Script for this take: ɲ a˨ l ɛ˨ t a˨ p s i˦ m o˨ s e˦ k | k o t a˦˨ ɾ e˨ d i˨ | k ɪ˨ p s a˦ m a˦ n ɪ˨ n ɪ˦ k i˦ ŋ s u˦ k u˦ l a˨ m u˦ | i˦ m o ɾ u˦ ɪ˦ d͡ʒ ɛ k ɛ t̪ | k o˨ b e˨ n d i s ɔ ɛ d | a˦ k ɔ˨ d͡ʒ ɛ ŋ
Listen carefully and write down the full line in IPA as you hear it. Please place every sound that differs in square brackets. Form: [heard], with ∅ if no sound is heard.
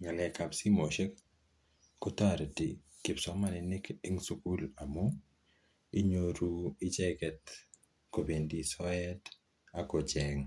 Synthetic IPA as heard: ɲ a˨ l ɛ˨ [k] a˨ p s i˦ m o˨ [ʃ] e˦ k | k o t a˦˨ ɾ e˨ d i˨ | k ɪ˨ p s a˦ m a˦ n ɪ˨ n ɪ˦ k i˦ ŋ s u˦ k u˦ l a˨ m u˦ | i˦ [ɲ] o ɾ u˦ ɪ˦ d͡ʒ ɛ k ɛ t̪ | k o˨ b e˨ n d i s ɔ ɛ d | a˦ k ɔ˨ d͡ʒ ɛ ŋ

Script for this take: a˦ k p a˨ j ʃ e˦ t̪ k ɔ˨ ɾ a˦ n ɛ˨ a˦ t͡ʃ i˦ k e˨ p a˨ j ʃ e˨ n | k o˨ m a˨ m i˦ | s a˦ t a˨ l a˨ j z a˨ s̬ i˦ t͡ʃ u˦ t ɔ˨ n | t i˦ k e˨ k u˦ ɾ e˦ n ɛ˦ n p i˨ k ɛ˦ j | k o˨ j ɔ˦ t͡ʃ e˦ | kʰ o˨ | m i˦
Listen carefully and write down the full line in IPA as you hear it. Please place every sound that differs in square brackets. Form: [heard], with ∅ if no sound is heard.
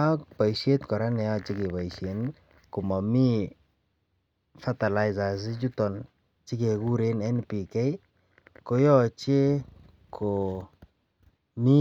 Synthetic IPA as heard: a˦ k p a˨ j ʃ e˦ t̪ k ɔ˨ ɾ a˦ n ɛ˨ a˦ t͡ʃ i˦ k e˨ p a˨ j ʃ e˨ n | k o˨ m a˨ m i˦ | [f] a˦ t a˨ l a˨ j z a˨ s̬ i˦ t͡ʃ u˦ t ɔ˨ n | [t͡ʃ] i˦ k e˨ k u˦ ɾ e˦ n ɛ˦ n p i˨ k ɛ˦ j | k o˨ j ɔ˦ t͡ʃ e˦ | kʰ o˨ | m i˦

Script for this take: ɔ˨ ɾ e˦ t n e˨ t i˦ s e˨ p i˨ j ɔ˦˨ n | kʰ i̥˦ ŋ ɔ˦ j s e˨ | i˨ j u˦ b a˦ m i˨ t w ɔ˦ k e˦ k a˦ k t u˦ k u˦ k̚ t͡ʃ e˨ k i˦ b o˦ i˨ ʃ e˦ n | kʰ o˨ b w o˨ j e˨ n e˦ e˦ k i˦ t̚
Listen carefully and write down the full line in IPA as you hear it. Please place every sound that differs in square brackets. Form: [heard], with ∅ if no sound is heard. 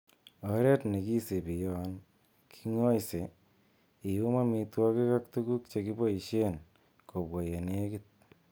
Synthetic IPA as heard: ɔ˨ ɾ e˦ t n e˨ [k] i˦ s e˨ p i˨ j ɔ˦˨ n | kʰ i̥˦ ŋ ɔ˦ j s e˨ | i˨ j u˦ [m] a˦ m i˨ t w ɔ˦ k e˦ k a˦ k t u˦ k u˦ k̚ t͡ʃ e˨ k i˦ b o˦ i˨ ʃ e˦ n | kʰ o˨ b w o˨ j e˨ n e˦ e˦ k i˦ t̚

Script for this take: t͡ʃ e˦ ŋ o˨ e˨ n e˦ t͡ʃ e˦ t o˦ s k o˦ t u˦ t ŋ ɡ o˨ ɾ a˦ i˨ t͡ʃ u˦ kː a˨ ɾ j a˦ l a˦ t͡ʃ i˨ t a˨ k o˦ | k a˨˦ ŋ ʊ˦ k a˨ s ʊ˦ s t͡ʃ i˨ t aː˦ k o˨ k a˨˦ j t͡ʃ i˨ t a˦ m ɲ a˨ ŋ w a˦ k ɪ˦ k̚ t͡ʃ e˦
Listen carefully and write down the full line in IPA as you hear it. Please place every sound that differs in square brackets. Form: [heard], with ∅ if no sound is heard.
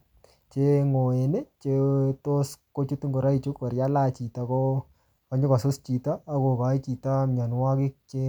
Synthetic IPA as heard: t͡ʃ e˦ ŋ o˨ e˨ n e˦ t͡ʃ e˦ t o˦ s k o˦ [t͡ʃ] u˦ t ŋ ɡ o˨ ɾ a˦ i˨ t͡ʃ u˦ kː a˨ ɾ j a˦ l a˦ t͡ʃ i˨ t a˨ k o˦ | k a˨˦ [ɲ] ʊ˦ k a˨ s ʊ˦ s t͡ʃ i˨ t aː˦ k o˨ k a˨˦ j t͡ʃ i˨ t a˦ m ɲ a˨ [n] w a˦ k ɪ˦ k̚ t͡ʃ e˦

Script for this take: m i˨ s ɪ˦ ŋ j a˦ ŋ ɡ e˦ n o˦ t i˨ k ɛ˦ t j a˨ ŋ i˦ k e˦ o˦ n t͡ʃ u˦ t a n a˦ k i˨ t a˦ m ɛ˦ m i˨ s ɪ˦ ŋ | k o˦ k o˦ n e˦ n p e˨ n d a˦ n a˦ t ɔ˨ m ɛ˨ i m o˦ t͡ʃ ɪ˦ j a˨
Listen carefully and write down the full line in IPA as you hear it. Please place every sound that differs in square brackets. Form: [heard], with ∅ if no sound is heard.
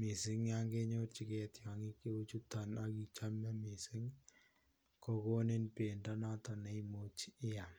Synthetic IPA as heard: m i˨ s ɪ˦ ŋ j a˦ ŋ ɡ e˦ [ɲ] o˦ [t͡ʃ] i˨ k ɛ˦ t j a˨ ŋ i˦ k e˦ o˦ [∅] t͡ʃ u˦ t a n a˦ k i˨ [t͡ʃ] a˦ m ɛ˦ m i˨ s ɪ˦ ŋ | k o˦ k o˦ n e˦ n p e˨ n d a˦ n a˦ t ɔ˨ [n] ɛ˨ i m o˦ t͡ʃ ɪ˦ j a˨

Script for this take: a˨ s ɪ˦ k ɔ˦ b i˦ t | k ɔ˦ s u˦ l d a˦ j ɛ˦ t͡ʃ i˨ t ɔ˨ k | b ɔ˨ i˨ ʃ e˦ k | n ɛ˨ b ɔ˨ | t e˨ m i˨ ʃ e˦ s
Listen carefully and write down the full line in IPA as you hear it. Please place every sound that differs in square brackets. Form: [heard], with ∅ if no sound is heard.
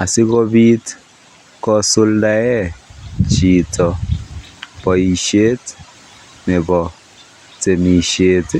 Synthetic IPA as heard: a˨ s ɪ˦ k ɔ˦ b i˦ t | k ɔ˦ s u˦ l d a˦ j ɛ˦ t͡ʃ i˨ t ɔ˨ [∅] | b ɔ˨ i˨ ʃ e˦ [t] | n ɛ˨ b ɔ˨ | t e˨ m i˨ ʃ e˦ [t]

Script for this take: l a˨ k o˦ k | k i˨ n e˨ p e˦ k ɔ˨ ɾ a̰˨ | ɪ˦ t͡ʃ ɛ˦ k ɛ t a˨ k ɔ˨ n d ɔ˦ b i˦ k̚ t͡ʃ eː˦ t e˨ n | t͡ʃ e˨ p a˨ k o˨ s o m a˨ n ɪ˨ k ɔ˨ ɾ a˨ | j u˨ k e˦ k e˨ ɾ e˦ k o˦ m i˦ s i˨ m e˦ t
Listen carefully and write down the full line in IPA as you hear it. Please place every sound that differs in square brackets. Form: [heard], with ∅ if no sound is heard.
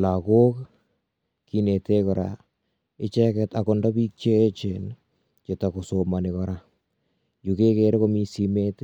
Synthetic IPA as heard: l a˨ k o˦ k | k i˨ n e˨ [t] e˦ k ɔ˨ ɾ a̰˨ | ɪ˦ t͡ʃ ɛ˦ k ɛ t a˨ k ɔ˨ n d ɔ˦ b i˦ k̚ t͡ʃ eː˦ [t͡ʃ] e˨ n | t͡ʃ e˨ [t] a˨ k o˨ s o m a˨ n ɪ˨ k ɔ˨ ɾ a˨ | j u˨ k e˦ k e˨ ɾ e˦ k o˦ m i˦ s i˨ m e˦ t

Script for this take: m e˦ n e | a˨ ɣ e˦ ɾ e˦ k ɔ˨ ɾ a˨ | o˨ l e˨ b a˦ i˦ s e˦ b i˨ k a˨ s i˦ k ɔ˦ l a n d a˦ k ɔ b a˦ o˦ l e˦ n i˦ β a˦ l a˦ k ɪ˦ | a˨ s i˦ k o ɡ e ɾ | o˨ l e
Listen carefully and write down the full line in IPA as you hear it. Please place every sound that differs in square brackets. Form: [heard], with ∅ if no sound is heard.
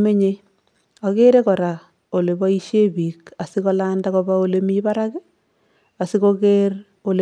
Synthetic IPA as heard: m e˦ [ɲ] e | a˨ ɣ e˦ ɾ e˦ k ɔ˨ ɾ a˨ | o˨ l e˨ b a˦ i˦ [ʃ] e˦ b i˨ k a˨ s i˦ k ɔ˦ l a n d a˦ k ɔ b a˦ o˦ l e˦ [m] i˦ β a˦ [ɾ] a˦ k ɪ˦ | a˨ s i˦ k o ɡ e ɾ | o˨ l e

